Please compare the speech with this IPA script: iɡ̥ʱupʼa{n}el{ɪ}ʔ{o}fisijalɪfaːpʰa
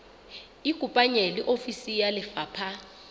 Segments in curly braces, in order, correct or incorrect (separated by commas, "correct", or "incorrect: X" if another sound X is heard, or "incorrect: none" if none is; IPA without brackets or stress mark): incorrect: ɲ, incorrect: i, correct